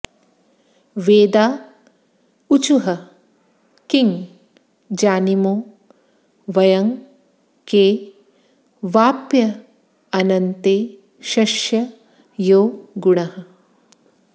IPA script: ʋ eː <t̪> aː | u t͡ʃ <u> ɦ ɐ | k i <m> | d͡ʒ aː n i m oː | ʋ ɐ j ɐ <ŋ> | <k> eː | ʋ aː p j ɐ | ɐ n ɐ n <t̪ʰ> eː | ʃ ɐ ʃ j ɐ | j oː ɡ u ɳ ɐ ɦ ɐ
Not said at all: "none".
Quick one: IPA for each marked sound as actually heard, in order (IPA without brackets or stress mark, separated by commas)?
d̪, u, ŋ, ŋ, k, t̪